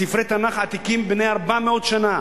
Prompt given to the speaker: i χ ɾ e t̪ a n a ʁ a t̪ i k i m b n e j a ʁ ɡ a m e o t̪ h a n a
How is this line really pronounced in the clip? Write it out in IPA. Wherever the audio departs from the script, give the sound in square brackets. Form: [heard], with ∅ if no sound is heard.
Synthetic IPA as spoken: i [f] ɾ e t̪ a n a [χ] a t̪ i k i m b n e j a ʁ [b] a m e o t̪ [ʃ] a n a